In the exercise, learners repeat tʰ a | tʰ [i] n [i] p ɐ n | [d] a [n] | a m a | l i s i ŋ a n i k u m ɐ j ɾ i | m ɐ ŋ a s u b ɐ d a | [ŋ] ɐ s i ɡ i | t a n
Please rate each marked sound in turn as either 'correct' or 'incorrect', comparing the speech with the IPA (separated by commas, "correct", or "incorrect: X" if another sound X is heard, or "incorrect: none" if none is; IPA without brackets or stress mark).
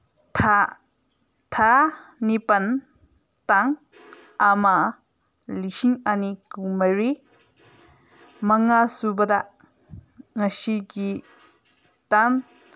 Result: incorrect: a, correct, incorrect: t, incorrect: ŋ, correct